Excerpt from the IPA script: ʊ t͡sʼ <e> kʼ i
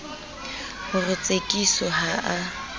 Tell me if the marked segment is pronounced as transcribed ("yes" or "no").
yes